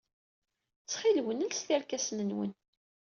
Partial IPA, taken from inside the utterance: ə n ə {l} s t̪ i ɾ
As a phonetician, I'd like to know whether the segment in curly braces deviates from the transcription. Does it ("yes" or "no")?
no